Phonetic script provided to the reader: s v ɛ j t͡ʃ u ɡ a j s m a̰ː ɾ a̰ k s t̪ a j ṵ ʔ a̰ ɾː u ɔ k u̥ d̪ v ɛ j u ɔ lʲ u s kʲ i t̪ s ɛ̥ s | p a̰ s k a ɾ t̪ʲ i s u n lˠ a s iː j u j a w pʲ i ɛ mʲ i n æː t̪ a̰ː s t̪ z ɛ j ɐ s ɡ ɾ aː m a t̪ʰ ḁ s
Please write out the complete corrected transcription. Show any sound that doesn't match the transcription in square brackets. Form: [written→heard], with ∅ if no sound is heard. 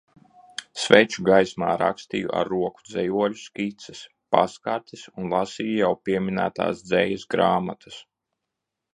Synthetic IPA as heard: s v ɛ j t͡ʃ u ɡ a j s m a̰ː ɾ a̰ k s t̪ [a→i] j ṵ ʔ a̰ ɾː u ɔ k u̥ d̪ [v→z] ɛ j u ɔ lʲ u s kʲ i t̪ s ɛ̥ s | p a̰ s k a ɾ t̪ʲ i s u n lˠ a s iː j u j a w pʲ i ɛ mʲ i n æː t̪ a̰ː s [t̪→d̪] z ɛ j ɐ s ɡ ɾ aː m a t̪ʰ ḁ s

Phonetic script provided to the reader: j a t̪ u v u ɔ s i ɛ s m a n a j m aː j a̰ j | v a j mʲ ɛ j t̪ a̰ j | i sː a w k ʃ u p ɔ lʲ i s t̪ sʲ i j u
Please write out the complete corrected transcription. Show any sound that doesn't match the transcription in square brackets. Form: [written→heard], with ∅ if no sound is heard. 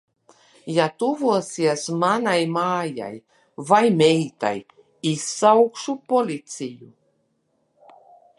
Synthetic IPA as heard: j a t̪ u v u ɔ s i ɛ s m a n a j m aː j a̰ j | v a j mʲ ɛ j t̪ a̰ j | i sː a w k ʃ u p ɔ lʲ i [s→∅] t̪ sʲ i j u

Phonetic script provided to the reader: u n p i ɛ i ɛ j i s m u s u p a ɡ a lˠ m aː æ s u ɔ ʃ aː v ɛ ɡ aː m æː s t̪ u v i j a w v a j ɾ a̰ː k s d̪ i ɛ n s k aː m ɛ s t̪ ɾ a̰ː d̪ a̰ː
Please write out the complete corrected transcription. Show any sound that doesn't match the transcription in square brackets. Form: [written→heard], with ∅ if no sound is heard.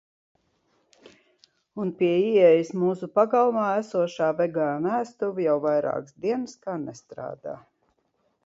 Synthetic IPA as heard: u n p i ɛ i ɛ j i s m [u→uː] s u p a ɡ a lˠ m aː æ s u ɔ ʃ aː v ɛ ɡ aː [m→n] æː s t̪ u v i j a w v a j ɾ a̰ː k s d̪ i ɛ n s k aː [m→n] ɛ s t̪ ɾ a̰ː d̪ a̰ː

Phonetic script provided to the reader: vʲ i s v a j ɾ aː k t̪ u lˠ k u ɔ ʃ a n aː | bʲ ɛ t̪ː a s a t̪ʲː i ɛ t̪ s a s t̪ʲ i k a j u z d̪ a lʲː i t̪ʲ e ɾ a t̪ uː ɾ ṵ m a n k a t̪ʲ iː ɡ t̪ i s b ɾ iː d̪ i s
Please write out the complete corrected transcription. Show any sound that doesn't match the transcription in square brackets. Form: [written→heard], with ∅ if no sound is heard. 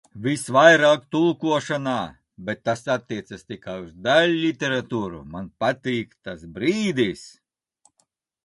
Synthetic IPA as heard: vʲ i s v a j ɾ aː k t̪ u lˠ k u ɔ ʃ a n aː | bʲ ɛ t̪ː a s a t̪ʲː i ɛ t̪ s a s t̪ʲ i k a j u z d̪ a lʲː i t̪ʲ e ɾ a t̪ uː ɾ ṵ m a n [k→p] a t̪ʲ iː [ɡ→k] t̪ [i→a] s b ɾ iː d̪ i s

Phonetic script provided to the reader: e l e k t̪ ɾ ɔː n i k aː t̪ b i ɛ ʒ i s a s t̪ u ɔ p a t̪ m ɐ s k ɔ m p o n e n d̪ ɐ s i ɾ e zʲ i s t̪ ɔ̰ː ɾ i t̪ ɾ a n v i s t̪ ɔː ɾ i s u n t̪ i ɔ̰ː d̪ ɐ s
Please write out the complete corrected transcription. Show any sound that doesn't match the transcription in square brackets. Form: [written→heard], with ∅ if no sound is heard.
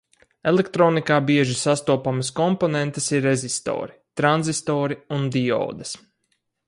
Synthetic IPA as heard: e l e k t̪ ɾ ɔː n i k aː [t̪→∅] b i ɛ ʒ i s a s t̪ u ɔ p a [t̪→∅] m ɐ s k ɔ m p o n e n [d̪→t̪] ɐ s i ɾ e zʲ i s t̪ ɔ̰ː ɾ i t̪ ɾ a n [v→z] i s t̪ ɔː ɾ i [s→∅] u n [t̪→d̪] i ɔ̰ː d̪ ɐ s

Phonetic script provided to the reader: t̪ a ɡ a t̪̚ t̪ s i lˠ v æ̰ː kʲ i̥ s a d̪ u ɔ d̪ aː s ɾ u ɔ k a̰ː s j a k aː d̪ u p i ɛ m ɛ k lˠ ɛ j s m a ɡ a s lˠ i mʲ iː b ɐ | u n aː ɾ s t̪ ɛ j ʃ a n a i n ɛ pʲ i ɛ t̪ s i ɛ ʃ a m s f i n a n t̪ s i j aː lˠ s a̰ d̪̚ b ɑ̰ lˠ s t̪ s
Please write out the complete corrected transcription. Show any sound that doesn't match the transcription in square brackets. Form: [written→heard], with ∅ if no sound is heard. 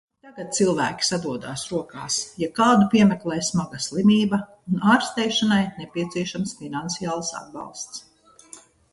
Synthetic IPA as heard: t̪ a ɡ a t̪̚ t̪ s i lˠ v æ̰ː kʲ i̥ s a d̪ u ɔ d̪ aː s ɾ u ɔ k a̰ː s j a k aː d̪ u p i ɛ m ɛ k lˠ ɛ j s m a ɡ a s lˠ i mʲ iː b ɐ | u n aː ɾ s t̪ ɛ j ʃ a n a [i→j] n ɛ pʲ i ɛ t̪ s i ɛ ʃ a m s f i n a n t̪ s i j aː lˠ s a̰ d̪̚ b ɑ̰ lˠ s t̪ s

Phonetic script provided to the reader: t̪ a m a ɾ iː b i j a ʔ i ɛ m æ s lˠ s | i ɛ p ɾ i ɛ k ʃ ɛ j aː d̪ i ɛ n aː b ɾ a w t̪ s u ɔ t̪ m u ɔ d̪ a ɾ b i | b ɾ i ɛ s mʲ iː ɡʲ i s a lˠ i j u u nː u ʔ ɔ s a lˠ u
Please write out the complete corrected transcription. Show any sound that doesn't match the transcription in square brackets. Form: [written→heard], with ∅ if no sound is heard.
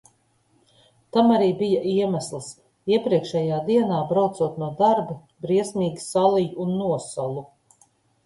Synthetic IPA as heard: t̪ a m a ɾ iː b i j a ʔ i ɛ m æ s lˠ s | i ɛ p ɾ i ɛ k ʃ ɛ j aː d̪ i ɛ n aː b ɾ a w t̪ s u ɔ t̪ [m→n] u ɔ d̪ a ɾ b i | b ɾ i ɛ s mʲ iː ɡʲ i s a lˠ i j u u nː u [ʔ→∅] ɔ s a lˠ u

